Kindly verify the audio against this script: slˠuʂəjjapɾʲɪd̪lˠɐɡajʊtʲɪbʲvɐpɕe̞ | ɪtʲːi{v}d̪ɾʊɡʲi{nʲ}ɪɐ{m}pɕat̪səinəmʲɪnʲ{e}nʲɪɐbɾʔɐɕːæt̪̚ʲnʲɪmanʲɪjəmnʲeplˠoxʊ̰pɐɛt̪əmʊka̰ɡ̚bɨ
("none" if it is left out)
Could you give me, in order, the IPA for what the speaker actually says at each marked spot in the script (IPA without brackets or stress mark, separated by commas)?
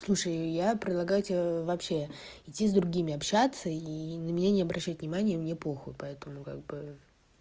z, mʲ, none, a